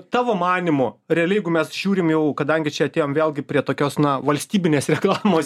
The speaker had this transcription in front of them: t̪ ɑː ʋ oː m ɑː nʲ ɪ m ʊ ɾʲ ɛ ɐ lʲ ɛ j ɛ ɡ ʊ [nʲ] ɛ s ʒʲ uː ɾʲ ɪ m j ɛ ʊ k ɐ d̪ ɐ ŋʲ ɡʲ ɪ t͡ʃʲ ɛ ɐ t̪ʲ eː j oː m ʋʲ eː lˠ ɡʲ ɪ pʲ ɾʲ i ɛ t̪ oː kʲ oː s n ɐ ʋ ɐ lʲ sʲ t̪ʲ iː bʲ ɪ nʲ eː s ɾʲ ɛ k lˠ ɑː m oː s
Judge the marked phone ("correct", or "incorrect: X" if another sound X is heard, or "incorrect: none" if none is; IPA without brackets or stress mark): incorrect: mʲ